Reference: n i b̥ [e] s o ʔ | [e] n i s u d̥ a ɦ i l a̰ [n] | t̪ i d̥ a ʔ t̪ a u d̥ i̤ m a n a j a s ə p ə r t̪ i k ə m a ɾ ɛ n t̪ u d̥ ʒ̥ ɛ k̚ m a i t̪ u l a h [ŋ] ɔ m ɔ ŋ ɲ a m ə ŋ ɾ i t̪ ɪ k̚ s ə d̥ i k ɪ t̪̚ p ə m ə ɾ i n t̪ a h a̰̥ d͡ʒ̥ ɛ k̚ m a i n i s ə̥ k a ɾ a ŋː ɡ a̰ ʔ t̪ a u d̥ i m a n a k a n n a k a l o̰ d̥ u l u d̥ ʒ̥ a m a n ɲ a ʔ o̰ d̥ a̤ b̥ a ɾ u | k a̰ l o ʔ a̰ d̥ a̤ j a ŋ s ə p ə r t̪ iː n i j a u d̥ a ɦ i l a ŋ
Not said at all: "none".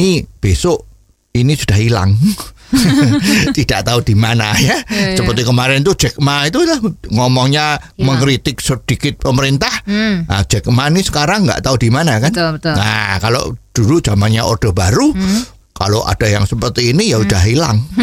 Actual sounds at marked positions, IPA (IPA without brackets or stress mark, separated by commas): e, i, ŋ, ŋ